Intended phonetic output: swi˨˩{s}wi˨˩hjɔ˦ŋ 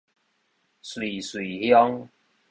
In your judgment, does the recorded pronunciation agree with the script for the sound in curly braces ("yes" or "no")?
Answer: yes